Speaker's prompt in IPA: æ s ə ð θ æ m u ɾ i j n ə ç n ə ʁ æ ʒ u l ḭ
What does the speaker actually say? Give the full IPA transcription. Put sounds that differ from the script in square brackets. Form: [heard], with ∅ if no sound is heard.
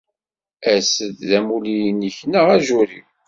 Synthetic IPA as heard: æ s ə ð [ð] æ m u [l] i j n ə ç n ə ʁ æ ʒ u [ɾ] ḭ